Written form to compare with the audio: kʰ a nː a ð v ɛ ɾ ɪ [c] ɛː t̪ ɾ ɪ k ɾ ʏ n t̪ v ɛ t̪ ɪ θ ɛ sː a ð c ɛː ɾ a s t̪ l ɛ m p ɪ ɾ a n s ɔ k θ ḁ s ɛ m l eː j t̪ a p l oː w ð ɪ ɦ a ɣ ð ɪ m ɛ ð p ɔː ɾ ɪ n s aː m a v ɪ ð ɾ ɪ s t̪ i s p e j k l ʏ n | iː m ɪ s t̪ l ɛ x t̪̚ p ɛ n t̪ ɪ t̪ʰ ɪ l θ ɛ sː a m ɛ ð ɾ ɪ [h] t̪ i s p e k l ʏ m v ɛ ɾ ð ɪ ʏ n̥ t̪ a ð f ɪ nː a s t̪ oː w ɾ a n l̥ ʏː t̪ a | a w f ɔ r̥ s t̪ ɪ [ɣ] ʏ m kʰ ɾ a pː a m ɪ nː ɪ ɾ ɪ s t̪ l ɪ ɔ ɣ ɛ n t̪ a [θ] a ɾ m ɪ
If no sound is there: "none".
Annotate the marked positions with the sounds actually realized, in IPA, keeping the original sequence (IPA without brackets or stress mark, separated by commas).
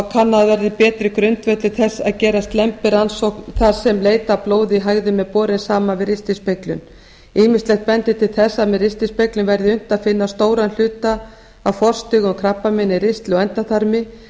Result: p, s, ɣ, θ